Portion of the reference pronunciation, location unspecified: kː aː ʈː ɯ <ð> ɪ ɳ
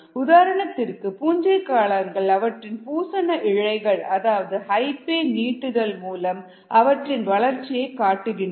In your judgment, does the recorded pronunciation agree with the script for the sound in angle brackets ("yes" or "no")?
no